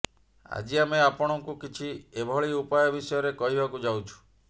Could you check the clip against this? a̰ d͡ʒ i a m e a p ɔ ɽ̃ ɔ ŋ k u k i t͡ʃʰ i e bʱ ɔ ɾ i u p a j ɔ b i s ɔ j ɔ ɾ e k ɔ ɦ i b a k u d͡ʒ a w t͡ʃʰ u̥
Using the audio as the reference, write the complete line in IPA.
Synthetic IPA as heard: a̰ d͡ʒ i a m e a p ɔ ɽ̃ ɔ ŋ k u k i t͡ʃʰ i e bʱ ɔ ɭ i u p a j ɔ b i s ɔ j ɔ ɾ e k ɔ ɦ i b a k u d͡ʒ a w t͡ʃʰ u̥